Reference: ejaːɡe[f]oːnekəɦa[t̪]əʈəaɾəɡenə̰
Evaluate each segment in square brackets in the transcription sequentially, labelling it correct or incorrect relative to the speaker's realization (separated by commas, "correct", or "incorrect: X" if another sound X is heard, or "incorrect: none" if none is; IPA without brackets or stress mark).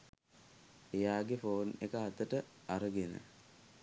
correct, correct